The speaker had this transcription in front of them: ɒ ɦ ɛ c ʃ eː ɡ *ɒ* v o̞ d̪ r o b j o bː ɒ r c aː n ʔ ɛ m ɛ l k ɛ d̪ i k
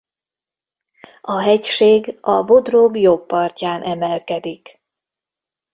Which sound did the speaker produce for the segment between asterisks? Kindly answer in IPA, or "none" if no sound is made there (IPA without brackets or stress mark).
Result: ɒ